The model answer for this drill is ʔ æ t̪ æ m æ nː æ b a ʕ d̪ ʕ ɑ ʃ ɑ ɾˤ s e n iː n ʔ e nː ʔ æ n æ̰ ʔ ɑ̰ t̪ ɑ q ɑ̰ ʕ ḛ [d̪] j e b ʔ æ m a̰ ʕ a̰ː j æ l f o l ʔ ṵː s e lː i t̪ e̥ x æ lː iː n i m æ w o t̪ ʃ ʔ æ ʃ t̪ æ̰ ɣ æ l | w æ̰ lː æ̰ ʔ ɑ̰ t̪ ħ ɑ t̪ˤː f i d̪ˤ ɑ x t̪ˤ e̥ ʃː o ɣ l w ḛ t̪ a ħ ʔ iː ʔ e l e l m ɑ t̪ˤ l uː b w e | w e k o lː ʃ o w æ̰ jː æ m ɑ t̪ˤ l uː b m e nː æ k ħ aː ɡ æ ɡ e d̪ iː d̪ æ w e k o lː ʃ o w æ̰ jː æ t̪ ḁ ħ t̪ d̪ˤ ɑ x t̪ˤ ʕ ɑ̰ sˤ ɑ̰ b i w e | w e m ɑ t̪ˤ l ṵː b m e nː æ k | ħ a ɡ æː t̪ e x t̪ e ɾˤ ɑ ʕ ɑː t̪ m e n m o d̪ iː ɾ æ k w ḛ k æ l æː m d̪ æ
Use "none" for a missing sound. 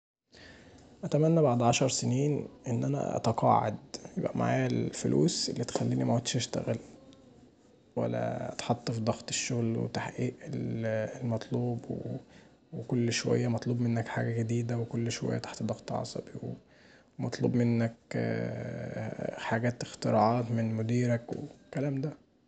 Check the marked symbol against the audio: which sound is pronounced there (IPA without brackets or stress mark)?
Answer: d̪